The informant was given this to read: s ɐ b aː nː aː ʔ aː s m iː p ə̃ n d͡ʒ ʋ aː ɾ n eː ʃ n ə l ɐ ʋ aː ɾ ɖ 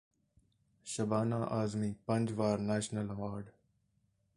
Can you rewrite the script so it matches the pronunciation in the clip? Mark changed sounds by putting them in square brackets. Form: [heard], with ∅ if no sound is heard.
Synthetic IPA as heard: [ʃ] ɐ b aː [n] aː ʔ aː [z] m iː p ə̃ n d͡ʒ ʋ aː ɾ n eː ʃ n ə l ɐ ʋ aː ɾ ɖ